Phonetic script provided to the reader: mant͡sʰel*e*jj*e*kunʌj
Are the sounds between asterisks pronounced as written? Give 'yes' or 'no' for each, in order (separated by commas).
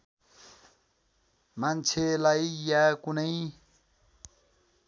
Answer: no, no